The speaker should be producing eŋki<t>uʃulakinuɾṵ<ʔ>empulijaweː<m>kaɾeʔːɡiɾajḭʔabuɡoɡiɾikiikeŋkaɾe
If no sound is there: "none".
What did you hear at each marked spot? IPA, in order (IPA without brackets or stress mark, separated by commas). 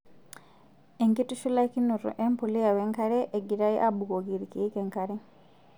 t, ʔ, ŋ